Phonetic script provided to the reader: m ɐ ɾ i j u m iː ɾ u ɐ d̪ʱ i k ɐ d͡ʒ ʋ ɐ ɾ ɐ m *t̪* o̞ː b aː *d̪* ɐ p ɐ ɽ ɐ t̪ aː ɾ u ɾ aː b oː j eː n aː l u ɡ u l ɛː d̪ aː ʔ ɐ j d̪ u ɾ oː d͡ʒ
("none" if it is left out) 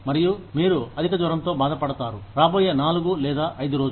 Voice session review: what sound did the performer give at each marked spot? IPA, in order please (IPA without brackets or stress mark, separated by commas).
t̪, d̪